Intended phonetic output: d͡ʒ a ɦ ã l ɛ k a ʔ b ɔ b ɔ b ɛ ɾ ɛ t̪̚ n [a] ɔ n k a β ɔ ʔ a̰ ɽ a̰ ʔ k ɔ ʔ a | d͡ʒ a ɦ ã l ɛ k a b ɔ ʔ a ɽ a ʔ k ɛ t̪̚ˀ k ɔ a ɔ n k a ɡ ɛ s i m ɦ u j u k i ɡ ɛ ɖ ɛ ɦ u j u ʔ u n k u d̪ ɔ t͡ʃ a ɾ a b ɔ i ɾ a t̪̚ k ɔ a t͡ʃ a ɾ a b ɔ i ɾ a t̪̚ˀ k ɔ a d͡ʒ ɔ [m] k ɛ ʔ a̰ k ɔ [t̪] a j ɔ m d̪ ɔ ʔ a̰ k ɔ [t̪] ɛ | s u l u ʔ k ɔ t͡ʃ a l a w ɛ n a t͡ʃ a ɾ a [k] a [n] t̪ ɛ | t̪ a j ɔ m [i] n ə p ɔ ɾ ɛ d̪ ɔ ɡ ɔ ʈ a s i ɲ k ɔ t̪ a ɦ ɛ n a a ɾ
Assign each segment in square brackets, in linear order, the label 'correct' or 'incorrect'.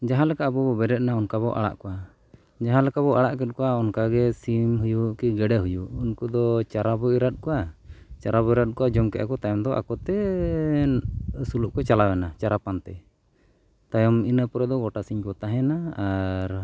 correct, correct, correct, correct, incorrect: p, correct, correct

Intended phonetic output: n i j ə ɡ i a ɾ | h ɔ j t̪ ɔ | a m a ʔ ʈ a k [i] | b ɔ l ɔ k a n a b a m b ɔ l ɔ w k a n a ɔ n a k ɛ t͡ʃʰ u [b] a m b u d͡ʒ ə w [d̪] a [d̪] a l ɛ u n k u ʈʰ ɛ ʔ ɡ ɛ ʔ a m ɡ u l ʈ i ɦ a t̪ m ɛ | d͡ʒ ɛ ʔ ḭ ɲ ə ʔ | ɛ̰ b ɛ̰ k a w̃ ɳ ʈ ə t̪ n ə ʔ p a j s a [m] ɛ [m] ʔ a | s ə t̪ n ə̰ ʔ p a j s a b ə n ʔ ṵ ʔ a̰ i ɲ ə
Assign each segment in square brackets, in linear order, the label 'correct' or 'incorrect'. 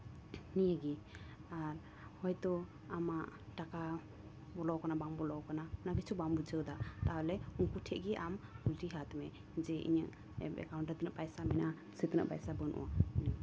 incorrect: a, correct, correct, incorrect: t̪, correct, incorrect: n

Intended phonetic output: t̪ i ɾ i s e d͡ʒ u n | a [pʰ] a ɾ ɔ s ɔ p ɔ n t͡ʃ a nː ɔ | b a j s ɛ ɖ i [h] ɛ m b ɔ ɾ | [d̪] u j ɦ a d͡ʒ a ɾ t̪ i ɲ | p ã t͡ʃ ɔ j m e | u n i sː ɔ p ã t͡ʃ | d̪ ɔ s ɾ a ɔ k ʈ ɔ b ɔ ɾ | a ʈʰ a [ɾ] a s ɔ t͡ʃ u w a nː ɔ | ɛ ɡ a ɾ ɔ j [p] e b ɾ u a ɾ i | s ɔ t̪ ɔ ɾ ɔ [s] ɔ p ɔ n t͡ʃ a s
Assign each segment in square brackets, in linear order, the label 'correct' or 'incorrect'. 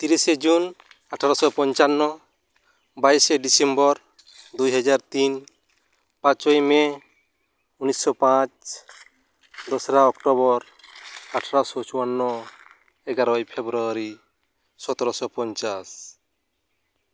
incorrect: ʈʰ, incorrect: s, correct, correct, incorrect: pʰ, correct

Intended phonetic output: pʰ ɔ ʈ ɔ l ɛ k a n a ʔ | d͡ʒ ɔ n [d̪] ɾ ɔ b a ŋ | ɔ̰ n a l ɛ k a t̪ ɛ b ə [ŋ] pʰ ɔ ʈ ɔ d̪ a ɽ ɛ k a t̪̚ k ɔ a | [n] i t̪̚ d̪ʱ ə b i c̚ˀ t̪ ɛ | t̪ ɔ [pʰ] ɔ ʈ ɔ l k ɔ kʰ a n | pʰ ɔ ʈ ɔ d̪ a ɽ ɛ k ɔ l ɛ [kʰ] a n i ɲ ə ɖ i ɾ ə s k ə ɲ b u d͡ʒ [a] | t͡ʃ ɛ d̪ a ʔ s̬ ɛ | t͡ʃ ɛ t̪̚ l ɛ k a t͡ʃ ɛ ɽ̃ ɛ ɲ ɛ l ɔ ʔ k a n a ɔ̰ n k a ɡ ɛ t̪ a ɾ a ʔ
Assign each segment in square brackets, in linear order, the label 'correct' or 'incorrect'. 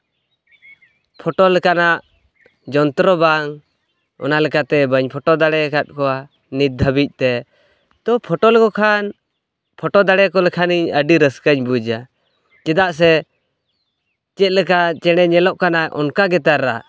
incorrect: t̪, incorrect: ɲ, correct, correct, correct, correct

